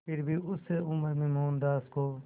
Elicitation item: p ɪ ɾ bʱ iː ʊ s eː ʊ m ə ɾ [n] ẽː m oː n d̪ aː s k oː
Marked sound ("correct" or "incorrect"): incorrect